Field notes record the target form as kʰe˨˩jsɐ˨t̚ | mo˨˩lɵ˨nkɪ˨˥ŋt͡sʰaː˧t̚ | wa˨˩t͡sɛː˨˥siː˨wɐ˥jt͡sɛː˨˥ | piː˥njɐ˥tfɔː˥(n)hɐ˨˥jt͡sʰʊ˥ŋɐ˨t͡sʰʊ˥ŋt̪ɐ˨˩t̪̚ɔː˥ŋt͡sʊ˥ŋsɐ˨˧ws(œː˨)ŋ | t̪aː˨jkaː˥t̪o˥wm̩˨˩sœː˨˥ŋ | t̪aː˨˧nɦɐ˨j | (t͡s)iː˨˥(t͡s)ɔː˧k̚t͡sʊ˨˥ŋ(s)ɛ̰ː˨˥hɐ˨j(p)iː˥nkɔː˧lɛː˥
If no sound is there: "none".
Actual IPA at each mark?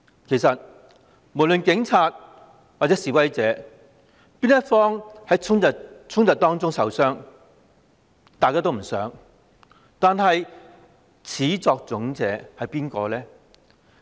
ŋ, œː˥, t͡sʰ, t͡s, t͡s, p

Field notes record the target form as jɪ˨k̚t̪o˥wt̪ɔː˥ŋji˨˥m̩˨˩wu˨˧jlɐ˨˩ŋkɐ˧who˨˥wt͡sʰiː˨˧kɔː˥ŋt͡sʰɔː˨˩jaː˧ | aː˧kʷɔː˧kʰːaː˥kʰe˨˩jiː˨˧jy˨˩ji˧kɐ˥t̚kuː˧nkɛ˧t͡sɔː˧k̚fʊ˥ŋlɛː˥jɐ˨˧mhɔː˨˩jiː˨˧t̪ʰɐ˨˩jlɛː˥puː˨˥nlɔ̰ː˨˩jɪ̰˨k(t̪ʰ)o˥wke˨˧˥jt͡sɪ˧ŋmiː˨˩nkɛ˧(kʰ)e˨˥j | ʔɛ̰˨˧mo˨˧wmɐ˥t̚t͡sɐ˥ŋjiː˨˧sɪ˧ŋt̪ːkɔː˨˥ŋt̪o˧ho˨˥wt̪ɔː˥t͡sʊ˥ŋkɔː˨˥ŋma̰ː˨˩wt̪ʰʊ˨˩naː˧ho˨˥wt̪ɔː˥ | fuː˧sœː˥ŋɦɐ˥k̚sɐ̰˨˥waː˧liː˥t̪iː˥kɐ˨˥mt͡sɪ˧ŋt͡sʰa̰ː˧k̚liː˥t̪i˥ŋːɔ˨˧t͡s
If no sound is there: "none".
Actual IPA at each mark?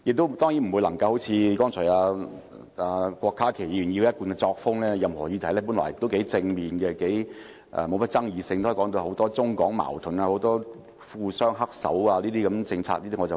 t̪, k

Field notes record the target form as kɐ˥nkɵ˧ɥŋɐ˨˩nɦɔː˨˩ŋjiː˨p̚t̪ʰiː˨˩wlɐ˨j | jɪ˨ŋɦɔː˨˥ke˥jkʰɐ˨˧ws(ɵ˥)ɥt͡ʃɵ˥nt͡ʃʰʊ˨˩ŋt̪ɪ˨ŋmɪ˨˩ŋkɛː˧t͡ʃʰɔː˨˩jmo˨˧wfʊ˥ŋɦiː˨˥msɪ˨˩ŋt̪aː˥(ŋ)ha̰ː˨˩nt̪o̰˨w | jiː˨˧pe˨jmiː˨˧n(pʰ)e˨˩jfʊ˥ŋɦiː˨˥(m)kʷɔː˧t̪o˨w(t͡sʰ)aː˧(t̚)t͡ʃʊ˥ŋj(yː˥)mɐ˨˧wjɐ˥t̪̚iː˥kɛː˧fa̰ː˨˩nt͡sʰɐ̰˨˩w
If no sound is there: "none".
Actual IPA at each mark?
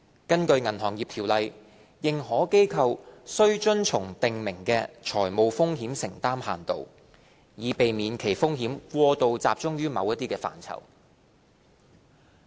ɵ˥, m, kʰ, m, t͡s, p̚, yː˥

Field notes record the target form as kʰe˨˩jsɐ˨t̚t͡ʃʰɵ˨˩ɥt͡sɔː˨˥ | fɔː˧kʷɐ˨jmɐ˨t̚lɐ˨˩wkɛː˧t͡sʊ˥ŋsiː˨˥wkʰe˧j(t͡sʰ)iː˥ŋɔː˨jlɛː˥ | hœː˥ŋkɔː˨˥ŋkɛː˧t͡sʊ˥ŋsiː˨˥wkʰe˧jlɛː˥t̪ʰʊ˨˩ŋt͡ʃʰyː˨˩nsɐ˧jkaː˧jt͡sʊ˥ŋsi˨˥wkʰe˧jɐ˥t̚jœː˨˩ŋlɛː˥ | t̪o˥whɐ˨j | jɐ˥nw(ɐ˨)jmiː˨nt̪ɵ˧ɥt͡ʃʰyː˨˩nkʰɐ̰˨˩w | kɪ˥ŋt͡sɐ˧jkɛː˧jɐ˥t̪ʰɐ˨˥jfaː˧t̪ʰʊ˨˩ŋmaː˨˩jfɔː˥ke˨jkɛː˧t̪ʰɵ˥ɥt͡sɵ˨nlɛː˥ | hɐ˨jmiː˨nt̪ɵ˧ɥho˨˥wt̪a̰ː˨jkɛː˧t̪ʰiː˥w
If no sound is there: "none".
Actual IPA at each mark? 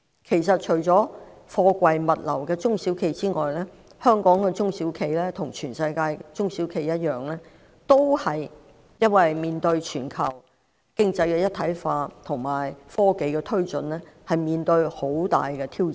t͡s, ɐ˨

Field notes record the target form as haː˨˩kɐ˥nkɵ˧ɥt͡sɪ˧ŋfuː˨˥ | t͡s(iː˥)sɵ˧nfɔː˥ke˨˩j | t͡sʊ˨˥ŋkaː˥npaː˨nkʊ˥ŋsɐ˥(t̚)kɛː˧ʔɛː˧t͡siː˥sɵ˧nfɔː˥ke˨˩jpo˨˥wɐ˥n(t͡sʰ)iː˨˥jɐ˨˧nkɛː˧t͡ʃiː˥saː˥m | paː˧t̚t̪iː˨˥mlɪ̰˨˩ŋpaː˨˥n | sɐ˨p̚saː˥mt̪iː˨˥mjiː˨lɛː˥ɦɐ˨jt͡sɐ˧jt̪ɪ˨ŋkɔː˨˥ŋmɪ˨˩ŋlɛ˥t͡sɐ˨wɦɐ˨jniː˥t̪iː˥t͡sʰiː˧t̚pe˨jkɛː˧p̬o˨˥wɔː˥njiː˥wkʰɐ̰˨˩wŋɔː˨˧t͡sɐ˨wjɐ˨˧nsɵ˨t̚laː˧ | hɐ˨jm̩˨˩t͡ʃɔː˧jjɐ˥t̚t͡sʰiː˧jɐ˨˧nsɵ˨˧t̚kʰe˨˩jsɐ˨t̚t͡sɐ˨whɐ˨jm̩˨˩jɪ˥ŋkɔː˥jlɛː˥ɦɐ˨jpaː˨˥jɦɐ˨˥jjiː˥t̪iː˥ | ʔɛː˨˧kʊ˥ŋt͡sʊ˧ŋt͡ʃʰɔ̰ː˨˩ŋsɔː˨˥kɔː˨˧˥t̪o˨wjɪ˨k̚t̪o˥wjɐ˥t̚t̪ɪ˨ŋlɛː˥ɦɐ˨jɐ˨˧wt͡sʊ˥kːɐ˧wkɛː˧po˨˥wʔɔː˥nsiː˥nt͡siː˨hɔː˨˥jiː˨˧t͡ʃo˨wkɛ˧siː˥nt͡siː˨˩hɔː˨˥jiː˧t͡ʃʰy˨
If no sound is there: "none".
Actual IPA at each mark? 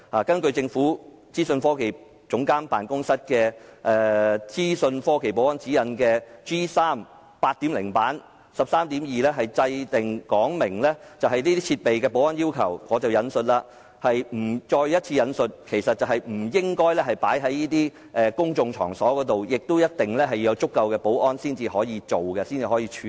iː˥, t̚, t͡s

